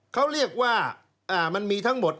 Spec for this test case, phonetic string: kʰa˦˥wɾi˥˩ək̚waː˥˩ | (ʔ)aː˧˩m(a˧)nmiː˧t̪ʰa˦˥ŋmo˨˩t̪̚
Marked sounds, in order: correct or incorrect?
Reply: correct, correct

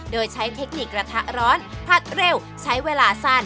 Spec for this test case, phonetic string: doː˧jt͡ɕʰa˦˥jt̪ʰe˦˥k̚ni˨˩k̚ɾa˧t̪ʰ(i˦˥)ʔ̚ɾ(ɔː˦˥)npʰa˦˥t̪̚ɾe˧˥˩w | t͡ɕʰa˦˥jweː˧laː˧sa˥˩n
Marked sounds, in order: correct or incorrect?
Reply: incorrect, correct

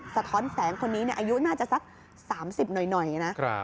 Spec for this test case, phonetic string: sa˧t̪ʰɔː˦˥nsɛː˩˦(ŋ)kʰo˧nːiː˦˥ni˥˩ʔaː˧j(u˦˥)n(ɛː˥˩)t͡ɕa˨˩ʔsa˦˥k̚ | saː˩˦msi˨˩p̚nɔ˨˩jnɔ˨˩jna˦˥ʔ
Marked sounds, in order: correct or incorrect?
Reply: correct, correct, incorrect

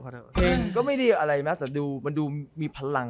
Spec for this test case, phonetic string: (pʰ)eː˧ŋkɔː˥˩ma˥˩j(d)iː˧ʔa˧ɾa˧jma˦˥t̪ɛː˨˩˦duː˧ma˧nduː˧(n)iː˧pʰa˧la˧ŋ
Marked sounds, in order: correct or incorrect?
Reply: correct, correct, incorrect

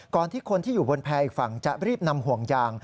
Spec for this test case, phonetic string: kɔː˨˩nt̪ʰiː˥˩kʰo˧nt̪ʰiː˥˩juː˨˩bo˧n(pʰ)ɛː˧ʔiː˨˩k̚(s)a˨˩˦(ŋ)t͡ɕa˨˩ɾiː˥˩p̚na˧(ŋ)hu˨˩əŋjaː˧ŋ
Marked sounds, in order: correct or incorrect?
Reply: correct, incorrect, correct, incorrect

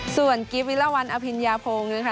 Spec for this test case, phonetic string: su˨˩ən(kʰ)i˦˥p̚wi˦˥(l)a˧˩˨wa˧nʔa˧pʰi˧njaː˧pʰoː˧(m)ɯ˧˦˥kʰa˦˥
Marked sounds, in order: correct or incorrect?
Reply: incorrect, correct, incorrect

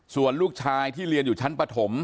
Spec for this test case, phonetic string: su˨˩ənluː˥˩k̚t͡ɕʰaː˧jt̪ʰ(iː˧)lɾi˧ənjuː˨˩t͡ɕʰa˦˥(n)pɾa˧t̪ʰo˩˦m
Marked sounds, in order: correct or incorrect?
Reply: incorrect, correct

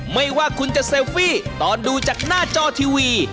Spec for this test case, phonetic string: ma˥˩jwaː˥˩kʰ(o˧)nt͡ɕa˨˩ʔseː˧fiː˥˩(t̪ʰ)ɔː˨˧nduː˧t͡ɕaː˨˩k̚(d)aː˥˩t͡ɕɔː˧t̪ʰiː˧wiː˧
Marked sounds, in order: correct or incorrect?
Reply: incorrect, incorrect, incorrect

